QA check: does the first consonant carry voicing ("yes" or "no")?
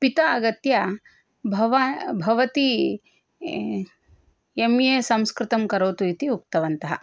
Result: no